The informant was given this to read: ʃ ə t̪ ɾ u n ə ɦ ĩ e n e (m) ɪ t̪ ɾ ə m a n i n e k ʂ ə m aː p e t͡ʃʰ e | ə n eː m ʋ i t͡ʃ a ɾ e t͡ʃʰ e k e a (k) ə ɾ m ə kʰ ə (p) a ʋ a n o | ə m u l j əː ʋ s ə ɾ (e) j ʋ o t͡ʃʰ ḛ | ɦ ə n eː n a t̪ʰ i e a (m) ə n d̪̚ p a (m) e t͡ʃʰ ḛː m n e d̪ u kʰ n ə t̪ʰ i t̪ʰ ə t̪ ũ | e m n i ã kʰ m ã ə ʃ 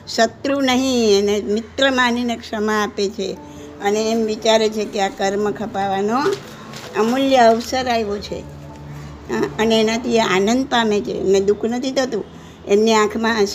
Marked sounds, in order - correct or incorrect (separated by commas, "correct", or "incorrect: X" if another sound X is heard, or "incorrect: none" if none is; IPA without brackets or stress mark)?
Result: correct, correct, correct, incorrect: a, incorrect: n, correct